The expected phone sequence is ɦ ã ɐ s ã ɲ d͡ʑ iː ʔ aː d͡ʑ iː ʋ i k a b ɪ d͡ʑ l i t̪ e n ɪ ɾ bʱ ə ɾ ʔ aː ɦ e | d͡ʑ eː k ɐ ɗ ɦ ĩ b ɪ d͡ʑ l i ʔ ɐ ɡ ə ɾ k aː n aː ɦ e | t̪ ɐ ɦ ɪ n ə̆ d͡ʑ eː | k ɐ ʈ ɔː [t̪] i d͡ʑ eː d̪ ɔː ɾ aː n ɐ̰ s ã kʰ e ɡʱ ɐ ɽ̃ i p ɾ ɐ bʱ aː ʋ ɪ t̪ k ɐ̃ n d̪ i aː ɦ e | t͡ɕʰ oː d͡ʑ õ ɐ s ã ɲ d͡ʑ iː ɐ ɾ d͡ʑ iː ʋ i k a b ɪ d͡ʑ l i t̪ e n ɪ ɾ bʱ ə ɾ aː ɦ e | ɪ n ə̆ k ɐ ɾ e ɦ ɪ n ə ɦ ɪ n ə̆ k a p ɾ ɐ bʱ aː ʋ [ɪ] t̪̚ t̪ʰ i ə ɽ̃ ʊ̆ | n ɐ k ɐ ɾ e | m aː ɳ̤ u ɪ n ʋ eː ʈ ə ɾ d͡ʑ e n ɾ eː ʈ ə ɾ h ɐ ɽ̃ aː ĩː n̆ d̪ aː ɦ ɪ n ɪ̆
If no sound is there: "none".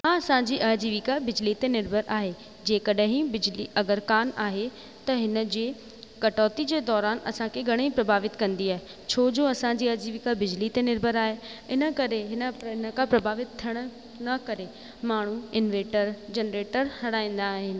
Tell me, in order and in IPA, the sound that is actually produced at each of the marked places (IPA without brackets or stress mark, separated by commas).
t̪, ɪ